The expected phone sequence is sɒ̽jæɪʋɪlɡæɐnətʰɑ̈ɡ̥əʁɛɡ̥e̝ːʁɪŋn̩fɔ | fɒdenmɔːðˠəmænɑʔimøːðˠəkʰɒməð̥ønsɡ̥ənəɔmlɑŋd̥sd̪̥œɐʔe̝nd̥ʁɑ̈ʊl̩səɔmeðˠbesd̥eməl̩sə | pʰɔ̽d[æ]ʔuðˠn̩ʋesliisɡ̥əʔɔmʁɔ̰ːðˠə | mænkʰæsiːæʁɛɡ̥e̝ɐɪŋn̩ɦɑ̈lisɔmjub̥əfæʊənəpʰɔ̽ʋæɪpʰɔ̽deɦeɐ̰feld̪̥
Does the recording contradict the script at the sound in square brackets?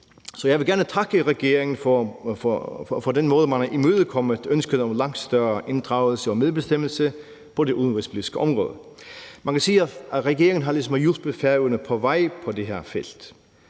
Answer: yes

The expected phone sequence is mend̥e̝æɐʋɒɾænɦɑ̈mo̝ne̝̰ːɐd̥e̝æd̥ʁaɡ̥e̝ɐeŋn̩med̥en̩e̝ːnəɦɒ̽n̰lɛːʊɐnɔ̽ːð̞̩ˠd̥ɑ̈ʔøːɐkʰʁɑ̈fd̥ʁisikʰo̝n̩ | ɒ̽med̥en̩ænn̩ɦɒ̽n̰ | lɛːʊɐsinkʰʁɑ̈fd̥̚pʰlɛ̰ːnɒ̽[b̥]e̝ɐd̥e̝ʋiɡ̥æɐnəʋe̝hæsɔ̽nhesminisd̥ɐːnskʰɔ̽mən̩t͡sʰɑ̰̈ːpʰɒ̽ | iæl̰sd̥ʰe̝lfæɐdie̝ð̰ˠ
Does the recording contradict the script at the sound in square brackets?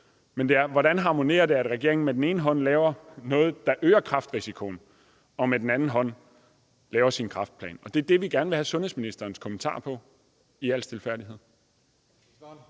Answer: yes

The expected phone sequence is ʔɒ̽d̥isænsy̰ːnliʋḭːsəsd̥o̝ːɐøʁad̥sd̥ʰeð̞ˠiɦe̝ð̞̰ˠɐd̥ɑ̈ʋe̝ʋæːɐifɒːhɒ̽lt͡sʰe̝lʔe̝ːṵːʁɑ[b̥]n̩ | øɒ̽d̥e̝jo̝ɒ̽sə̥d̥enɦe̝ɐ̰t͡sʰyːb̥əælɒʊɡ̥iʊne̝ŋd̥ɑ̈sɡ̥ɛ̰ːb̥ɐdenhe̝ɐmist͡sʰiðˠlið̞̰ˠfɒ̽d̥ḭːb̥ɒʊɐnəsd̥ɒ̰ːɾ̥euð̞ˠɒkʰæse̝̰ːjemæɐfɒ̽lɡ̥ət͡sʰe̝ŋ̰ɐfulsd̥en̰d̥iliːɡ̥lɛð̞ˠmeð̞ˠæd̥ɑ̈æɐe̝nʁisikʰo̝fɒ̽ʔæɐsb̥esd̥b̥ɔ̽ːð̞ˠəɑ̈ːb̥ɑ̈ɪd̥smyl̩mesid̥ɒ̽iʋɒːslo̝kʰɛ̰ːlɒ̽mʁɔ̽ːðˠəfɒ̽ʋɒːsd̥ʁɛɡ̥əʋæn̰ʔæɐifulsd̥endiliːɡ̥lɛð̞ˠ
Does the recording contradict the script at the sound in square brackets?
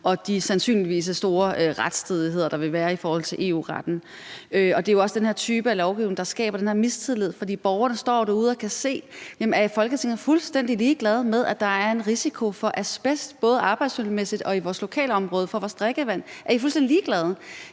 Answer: yes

